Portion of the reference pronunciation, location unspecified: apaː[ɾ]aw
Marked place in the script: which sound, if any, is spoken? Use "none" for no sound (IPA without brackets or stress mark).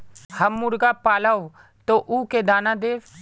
l